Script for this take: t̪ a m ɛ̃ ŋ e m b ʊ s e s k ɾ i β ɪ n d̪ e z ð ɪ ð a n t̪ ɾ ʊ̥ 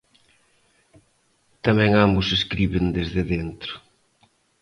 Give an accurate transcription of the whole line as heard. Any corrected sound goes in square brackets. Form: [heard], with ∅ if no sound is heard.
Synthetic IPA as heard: t̪ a m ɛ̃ ŋ [a] m b ʊ s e s k ɾ i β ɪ n d̪ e z ð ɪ ð [e] n t̪ ɾ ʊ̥